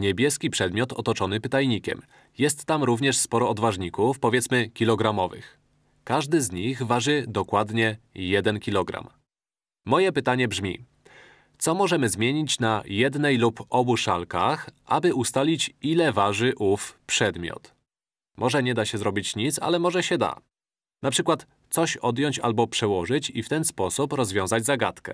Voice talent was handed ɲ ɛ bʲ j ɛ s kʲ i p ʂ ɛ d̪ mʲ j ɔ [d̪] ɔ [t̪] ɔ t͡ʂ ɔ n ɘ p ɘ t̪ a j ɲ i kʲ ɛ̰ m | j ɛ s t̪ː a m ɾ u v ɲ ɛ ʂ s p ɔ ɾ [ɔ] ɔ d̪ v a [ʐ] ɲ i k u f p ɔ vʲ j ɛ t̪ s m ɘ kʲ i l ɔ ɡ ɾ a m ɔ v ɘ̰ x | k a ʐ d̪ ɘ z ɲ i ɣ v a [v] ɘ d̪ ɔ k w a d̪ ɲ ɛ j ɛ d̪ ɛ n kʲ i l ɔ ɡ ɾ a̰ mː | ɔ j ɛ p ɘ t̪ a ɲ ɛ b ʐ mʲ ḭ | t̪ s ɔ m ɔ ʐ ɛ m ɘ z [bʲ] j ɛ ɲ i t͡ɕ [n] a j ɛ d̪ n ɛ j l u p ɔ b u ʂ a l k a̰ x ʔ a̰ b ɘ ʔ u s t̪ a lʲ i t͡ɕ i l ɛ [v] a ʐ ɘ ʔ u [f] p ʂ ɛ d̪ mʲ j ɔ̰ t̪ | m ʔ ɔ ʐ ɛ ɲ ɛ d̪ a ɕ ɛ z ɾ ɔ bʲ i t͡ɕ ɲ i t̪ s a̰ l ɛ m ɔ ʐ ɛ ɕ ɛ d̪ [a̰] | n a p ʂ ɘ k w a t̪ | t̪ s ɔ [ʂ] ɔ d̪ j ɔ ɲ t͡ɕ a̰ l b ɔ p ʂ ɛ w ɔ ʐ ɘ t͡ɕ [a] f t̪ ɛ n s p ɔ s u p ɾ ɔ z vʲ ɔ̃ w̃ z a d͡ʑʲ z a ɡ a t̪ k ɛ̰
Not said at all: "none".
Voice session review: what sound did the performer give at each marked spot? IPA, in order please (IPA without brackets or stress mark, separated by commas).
t̪, t̪, ɔ, ʐ, ʐ, mʲ, n, v, f, a̰, ɕ, i